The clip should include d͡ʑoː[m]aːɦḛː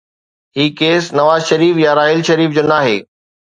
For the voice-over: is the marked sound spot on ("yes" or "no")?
no